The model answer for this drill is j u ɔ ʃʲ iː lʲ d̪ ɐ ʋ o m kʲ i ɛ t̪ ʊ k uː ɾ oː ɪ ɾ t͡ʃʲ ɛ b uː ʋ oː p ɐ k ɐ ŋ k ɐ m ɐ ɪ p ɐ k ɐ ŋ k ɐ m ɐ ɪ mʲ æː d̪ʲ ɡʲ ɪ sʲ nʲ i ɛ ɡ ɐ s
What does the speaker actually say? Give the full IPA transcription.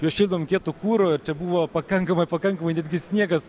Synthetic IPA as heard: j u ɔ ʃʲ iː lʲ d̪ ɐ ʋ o m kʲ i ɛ t̪ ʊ k uː ɾ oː ɪ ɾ t͡ʃʲ ɛ b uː ʋ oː p ɐ k ɐ ŋ k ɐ m ɐ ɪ p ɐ k ɐ ŋ k ɐ m ɐ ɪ nʲ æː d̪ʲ ɡʲ ɪ sʲ nʲ i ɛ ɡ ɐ s